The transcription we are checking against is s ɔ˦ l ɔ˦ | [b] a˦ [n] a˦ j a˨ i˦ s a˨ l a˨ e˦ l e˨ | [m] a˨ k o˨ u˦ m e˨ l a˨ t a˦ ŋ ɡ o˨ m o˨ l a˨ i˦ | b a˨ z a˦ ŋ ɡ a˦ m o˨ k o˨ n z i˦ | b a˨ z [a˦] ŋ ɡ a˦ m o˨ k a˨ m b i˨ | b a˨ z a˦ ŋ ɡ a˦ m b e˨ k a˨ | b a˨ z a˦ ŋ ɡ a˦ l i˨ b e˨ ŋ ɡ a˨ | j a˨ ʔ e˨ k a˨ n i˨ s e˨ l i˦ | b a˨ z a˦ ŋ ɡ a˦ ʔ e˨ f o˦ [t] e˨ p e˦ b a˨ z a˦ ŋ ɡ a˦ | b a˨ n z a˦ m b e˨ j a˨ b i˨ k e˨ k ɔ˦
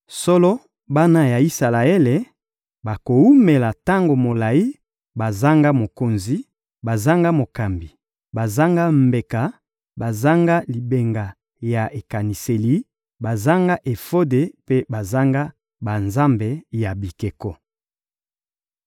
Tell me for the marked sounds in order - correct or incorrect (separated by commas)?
correct, correct, incorrect, correct, incorrect